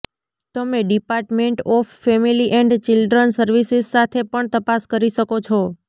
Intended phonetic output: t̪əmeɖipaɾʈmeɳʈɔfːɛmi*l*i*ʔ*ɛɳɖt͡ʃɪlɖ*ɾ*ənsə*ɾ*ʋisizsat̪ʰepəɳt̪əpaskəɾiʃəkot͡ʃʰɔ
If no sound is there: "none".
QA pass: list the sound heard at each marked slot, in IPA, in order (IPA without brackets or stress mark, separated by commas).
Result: l, ʔ, ɾ, ɾ